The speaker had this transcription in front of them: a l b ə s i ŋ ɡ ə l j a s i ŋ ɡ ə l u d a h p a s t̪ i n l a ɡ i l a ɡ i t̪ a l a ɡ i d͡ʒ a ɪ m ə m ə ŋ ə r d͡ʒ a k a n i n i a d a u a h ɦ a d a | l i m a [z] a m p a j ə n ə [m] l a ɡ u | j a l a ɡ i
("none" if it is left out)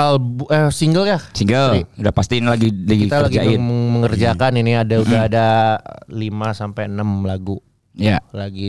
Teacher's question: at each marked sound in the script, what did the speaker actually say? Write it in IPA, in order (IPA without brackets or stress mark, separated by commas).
s, m